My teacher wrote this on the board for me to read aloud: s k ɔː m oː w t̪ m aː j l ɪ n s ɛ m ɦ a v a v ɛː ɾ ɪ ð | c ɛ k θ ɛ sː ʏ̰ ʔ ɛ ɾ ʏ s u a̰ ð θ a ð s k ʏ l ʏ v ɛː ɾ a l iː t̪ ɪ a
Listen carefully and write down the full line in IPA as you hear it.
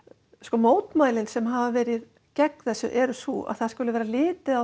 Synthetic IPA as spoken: s k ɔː m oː w t̪ m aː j l ɪ n s ɛ m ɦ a v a v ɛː ɾ ɪ ð | c ɛ k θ ɛ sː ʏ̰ ʔ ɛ ɾ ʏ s u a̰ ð θ a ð s k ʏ l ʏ v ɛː ɾ a l ɪː t̪ ɪ a